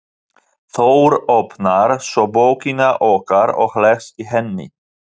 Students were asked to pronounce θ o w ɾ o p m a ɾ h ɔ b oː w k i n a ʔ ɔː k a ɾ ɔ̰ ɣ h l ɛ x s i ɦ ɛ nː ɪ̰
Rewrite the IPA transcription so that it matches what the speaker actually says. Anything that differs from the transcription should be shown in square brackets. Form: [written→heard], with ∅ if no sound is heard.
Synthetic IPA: θ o w ɾ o p [m→n] a ɾ [h→s] ɔ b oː w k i n a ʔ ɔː k a ɾ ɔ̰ ɣ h l ɛ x s i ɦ ɛ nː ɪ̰